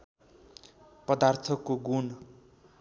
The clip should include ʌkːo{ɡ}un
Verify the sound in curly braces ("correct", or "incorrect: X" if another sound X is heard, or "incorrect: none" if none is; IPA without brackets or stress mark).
correct